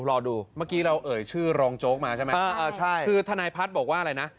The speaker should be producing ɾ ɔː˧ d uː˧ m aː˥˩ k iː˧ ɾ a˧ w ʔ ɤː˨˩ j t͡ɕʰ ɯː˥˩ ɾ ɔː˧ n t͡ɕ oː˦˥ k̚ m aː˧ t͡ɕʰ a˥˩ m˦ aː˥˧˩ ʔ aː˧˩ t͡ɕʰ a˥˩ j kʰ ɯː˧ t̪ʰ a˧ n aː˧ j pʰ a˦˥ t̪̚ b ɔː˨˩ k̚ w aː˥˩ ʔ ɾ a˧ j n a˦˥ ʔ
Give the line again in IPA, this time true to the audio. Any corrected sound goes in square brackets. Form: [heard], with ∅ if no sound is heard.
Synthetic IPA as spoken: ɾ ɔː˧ d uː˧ m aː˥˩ k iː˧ ɾ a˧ w ʔ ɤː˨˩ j t͡ɕʰ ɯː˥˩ ɾ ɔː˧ [ŋ] t͡ɕ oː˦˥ k̚ m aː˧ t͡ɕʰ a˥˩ m˦ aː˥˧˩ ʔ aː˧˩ t͡ɕʰ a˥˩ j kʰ ɯː˧ t̪ʰ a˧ n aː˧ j pʰ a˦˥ t̪̚ b ɔː˨˩ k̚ w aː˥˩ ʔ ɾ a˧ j n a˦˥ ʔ